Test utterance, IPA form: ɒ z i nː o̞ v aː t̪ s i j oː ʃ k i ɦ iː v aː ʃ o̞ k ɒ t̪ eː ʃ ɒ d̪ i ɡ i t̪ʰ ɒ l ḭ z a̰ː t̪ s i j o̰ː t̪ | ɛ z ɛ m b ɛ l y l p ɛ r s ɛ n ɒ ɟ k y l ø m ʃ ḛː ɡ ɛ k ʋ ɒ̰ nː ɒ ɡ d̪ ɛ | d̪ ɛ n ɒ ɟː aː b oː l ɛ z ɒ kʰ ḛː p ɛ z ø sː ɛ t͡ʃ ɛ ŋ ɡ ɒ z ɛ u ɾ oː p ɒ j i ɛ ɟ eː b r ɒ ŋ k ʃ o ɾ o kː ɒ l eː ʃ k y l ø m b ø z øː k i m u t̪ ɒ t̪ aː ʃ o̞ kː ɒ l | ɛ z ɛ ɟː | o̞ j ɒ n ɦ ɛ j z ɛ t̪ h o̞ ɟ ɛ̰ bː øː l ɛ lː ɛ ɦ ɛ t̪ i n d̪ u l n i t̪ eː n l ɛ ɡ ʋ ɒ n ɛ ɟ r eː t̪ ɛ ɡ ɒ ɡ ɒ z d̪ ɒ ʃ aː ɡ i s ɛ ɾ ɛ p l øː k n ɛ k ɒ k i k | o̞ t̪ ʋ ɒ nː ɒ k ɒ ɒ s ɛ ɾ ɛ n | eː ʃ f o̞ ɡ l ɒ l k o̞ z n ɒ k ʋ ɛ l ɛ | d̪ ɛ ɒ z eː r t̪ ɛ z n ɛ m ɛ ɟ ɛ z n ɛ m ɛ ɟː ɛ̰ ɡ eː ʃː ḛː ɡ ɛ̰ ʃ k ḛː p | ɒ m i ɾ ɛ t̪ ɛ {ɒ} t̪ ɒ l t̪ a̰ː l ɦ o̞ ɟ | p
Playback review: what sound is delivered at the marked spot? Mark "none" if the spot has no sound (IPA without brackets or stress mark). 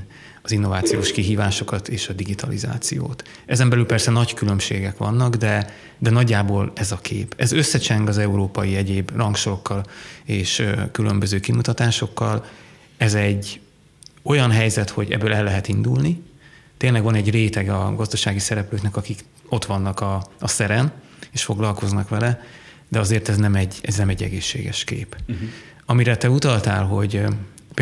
u